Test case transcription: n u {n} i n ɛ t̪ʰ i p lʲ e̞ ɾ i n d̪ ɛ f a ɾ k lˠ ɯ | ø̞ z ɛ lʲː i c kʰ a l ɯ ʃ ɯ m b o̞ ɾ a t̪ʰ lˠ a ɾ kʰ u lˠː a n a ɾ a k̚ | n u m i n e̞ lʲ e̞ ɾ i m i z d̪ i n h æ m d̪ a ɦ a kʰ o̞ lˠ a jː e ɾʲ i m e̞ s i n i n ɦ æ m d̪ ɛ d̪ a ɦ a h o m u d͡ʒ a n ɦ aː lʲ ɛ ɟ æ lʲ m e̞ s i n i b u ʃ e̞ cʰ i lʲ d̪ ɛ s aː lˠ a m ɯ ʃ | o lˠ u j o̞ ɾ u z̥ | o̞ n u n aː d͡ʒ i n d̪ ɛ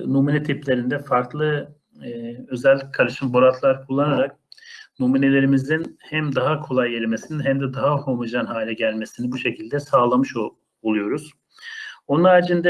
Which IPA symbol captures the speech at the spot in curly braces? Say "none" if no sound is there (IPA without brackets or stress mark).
m